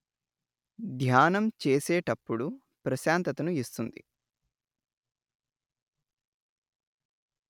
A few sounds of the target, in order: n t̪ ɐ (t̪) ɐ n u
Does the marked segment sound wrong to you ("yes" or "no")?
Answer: no